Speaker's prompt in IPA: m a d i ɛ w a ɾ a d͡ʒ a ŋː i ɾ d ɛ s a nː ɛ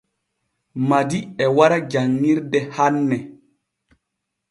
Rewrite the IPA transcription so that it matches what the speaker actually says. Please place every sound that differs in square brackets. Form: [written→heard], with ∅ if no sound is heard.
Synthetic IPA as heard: m a d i ɛ w a ɾ a d͡ʒ a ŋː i ɾ d ɛ [s→h] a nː ɛ